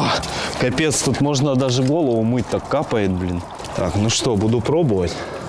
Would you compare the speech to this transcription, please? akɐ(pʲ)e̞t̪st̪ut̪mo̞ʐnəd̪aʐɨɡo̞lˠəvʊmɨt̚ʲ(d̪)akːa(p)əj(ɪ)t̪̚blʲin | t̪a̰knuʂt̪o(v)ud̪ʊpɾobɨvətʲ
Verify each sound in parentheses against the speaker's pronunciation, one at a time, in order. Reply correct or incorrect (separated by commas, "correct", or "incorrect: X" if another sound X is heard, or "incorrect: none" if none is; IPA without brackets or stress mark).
correct, incorrect: t̪, correct, correct, incorrect: b